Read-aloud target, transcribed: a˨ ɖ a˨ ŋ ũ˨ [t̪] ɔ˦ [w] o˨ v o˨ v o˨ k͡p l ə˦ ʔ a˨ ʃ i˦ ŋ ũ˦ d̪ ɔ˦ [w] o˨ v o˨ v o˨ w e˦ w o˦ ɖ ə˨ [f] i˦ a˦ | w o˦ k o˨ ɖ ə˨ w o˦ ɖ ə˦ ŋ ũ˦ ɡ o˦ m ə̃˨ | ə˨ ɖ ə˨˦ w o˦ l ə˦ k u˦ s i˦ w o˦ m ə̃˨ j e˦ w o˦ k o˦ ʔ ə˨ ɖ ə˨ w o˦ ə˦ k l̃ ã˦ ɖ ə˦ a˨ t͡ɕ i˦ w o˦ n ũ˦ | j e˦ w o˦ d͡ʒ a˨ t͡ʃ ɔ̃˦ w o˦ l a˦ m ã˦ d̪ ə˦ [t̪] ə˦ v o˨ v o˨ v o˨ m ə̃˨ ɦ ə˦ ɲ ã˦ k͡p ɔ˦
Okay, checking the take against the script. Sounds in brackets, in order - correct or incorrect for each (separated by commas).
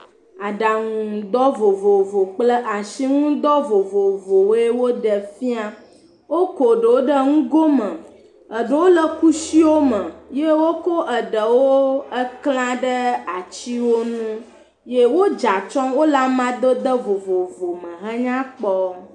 incorrect, incorrect, incorrect, correct, incorrect